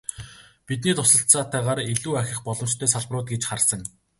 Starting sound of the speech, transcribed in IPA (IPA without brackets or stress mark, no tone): p